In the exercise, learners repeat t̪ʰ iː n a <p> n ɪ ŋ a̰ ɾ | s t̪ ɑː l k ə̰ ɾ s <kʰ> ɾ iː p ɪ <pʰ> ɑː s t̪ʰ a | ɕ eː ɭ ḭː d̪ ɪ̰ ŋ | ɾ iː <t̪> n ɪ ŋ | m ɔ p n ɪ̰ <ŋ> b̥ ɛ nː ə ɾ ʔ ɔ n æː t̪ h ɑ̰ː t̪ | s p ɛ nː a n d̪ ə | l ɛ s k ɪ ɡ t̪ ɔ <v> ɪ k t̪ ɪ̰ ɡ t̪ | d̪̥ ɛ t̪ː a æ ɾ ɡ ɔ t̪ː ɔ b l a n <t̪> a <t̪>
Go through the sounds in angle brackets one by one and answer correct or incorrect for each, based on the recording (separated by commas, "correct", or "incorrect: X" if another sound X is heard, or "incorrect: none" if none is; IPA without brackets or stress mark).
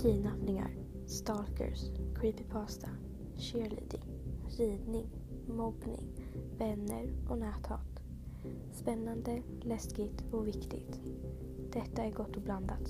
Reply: correct, correct, correct, incorrect: d̪, correct, correct, incorrect: d̪, correct